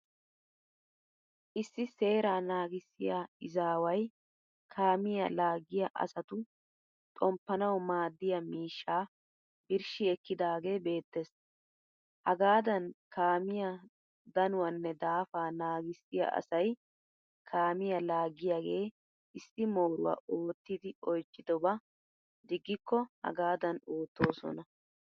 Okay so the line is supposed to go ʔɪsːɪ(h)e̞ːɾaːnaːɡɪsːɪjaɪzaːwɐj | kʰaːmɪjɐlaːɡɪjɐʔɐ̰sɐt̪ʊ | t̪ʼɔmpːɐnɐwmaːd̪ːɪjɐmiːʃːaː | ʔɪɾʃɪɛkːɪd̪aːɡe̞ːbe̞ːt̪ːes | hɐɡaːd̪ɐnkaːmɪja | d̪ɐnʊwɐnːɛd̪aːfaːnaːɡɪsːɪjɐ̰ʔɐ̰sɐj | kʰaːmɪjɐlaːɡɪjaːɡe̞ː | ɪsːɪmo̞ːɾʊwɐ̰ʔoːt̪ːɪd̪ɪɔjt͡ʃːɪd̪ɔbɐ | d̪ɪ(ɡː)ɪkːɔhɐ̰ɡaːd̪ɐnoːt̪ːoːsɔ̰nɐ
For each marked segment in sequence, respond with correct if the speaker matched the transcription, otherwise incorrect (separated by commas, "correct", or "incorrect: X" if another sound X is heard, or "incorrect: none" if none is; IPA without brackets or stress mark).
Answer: incorrect: s, correct